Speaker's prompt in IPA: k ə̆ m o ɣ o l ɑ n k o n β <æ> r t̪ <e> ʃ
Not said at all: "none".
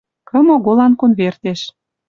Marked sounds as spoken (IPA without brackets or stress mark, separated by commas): e, e